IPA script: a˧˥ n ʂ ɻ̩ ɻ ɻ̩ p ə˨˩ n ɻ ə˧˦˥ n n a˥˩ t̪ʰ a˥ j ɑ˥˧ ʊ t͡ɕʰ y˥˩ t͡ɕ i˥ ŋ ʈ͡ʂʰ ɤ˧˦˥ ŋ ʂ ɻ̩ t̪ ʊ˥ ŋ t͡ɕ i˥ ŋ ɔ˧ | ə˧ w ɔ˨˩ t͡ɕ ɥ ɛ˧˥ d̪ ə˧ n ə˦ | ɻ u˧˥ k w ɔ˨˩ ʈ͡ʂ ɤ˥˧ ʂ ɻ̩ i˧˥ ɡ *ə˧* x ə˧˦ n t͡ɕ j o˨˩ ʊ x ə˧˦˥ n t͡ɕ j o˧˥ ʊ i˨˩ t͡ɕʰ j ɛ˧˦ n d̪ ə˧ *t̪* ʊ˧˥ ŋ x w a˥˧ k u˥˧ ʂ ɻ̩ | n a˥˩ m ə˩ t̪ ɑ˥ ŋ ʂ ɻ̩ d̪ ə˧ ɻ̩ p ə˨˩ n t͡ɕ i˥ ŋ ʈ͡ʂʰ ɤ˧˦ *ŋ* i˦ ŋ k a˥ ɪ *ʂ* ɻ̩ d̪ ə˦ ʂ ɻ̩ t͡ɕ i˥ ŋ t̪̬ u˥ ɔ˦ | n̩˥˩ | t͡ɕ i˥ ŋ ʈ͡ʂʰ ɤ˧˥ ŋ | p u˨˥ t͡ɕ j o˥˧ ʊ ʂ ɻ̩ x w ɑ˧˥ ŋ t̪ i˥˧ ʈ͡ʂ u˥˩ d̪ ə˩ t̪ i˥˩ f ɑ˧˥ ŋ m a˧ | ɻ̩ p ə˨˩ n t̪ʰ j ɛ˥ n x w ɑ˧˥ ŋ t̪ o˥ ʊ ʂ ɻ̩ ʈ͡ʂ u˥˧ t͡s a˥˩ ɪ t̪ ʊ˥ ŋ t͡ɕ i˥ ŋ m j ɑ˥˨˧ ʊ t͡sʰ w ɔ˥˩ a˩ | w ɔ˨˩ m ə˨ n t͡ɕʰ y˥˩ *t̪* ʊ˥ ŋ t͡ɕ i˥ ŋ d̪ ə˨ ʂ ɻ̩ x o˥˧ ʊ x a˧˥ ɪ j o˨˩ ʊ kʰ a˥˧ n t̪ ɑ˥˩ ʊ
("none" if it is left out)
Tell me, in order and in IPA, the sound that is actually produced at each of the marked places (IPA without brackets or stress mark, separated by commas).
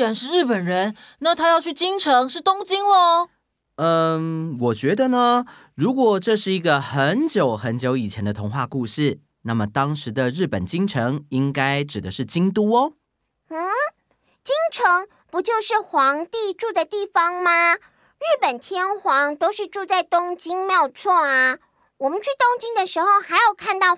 ə˧, t̪ʰ, ŋ, ʈ͡ʂ, t̪